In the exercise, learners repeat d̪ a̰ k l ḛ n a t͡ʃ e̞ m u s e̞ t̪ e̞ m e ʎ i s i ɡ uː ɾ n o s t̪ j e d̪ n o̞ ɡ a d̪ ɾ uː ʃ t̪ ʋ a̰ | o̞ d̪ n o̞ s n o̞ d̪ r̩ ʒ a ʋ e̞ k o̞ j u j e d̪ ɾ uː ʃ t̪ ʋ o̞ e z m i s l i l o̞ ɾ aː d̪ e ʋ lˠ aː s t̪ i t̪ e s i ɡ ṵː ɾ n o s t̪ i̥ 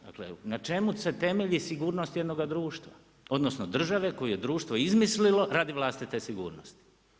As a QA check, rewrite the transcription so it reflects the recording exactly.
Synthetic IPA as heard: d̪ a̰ k l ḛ n a t͡ʃ e̞ m u s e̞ t̪ e̞ m e ʎ i s i ɡ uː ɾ n o s t̪ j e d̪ n o̞ ɡ a d̪ ɾ uː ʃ t̪ ʋ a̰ | o̞ d̪ n o̞ s n o̞ d̪ r̩ ʒ a ʋ e̞ k o̞ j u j e d̪ ɾ uː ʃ t̪ ʋ o̞ i z m i s l i l o̞ ɾ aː d̪ i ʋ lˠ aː s t̪ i t̪ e s i ɡ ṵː ɾ n o s t̪ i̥

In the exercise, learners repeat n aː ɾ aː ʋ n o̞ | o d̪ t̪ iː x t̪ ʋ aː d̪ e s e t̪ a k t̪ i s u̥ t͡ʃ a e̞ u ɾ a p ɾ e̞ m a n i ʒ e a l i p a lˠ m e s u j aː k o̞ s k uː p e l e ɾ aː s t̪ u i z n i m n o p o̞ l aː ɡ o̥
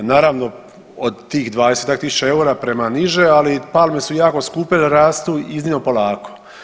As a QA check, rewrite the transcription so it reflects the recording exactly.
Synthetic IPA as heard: n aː ɾ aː ʋ n o̞ | o d̪ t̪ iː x d̪ ʋ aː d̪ e s e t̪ a k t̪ i s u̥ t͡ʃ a e̞ u ɾ a p ɾ e̞ m a n i ʒ e a l i p a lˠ m e s u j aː k o̞ s k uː p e l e ɾ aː s t̪ u i z n i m n o p o̞ l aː k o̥

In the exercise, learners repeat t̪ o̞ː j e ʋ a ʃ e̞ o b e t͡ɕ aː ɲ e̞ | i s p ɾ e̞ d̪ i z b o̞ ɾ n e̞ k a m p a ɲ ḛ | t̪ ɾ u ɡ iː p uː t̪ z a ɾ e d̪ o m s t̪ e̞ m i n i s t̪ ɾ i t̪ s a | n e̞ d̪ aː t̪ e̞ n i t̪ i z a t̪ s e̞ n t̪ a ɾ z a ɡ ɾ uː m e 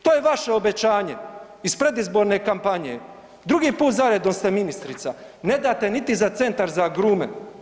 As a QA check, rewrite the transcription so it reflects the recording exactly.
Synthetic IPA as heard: t̪ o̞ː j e ʋ a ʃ e̞ o b e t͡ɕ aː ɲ e̞ | i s p ɾ e̞ d̪ i z b o̞ ɾ n e̞ k a m p a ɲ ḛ | d̪ ɾ u ɡ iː p uː t̪ z a ɾ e d̪ o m s t̪ e̞ m i n i s t̪ ɾ i t̪ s a | n e̞ d̪ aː t̪ e̞ n i t̪ i z a t̪ s e̞ n t̪ a ɾ z a ɡ ɾ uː m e

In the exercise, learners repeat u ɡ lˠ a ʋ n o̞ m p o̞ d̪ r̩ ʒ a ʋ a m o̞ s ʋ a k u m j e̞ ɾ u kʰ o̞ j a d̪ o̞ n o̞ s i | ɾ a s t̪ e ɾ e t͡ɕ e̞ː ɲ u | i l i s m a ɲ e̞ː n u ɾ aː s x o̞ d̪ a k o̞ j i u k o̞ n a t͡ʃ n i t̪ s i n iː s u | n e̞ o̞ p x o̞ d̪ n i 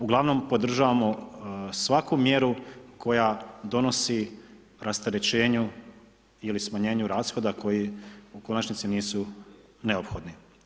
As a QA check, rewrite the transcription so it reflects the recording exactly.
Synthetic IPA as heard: u ɡ lˠ a ʋ n o̞ m p o̞ d̪ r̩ ʒ a ʋ a m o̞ s ʋ a k u m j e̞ ɾ u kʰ o̞ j a d̪ o̞ n o̞ s i | ɾ a s t̪ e ɾ e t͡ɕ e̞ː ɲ u | i l i s m a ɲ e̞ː ɲ u ɾ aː s x o̞ d̪ a k o̞ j i u k o̞ n a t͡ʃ n i t̪ s i n iː s u | n e̞ o̞ p x o̞ d̪ n i

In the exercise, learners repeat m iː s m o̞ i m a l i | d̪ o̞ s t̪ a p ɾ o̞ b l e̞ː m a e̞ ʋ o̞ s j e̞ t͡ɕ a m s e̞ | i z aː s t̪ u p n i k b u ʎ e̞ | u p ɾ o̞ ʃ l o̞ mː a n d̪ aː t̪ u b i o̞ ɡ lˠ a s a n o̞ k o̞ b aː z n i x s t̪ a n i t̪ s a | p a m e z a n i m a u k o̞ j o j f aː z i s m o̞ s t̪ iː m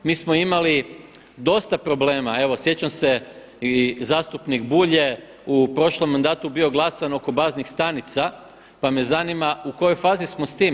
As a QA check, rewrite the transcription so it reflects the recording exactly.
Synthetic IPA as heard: m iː s m o̞ i m a l i | d̪ o̞ s t̪ a p ɾ o̞ b l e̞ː m a e̞ ʋ o̞ s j e̞ t͡ɕ a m s e̞ | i z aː s t̪ u p n i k b u ʎ e̞ | u p ɾ o̞ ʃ l o̞ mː a n d̪ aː t̪ u b i o̞ ɡ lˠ a s a n o̞ k o̞ b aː z n i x s t̪ a n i t̪ s a | p a m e z a n i m a u k o̞ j o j f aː z i s m o̞ s t̪ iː m

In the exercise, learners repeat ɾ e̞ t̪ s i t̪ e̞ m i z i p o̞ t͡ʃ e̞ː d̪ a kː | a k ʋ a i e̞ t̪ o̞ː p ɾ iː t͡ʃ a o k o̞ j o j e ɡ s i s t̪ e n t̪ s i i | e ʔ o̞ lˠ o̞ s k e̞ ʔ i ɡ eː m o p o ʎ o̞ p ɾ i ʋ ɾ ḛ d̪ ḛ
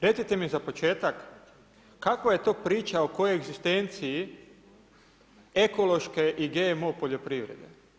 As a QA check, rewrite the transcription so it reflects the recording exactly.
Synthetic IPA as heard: ɾ e̞ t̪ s i t̪ e̞ m i z a p o̞ t͡ʃ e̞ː t̪ a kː | a k ʋ a j e̞ t̪ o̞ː p ɾ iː t͡ʃ a o k o̞ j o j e ɡ z i s t̪ e n t̪ s i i | e k o̞ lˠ o̞ ʃ k e̞ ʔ i ɡ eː m o p o ʎ o̞ p ɾ i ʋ ɾ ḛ d̪ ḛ

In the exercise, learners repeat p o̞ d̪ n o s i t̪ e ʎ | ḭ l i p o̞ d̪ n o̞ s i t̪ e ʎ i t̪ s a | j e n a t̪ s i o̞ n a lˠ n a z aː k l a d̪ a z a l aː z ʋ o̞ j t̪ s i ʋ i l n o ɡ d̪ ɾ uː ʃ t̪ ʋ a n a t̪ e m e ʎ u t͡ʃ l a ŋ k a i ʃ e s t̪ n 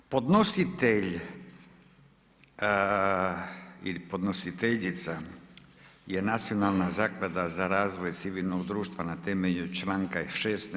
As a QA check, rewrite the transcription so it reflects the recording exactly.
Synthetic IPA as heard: p o̞ d̪ n o s i t̪ e ʎ | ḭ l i p o̞ d̪ n o̞ s i t̪ e ʎ i t̪ s a | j e n a t̪ s i o̞ n a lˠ n a z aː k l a d̪ a z a ɾ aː z ʋ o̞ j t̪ s i ʋ i l n o ɡ d̪ ɾ uː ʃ t̪ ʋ a n a t̪ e m e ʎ u t͡ʃ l a ŋ k a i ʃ e s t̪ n

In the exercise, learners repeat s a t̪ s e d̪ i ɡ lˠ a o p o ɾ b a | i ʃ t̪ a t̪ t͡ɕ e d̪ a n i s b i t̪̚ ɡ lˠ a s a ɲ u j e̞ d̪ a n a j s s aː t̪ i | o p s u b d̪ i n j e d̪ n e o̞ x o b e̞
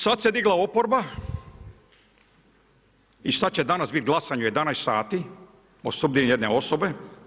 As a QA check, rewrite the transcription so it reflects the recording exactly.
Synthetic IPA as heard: s a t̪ s e d̪ i ɡ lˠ a o p o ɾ b a | i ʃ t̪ a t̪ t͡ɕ e d̪ a n a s b i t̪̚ ɡ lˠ a s a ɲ u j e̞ d̪ a n a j s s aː t̪ i | o s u b d̪ i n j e d̪ n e o̞ s o b e̞

